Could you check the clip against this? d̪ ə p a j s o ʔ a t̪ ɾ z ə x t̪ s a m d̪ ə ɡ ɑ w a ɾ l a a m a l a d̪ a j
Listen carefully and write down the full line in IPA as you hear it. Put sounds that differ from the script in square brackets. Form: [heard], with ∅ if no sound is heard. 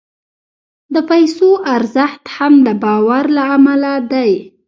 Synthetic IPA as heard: d̪ ə p a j s o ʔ a [∅] ɾ z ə x t̪ [h] a m d̪ ə [b] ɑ w a ɾ l a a m a l a d̪ a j